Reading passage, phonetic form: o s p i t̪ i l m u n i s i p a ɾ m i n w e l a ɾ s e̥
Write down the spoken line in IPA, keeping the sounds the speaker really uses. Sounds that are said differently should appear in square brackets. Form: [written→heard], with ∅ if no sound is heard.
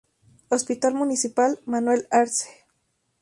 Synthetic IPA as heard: o s p i t̪ [i→a] l m u n i s i p a [ɾ→l] m [i→a] n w e l a ɾ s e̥